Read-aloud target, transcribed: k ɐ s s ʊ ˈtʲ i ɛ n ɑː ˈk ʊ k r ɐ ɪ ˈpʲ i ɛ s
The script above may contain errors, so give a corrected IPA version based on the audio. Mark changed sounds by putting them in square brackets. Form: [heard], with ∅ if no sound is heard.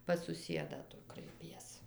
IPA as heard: [p] ɐ s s ʊ [ˈsʲ] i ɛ [d] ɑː [ˈt] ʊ k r ɐ ɪ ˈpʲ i ɛ s